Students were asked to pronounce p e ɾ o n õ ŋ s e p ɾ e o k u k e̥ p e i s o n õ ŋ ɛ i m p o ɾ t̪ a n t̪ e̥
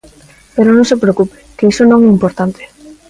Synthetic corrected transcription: p e ɾ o n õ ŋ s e p ɾ e o k u p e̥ k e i s o n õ ŋ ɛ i m p o ɾ t̪ a n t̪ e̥